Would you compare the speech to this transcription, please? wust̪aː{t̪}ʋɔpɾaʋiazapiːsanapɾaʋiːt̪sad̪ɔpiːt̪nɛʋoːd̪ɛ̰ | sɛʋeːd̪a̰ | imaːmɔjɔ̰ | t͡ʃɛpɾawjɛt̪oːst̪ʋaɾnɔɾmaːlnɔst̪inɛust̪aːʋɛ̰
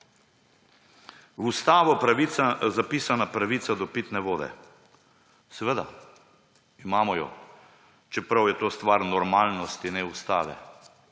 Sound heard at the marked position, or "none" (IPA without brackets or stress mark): none